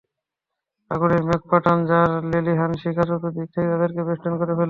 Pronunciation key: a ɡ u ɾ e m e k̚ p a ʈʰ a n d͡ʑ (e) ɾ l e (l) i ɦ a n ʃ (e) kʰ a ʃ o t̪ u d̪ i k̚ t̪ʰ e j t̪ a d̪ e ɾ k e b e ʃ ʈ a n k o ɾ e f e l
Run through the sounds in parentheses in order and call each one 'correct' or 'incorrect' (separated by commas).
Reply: incorrect, correct, incorrect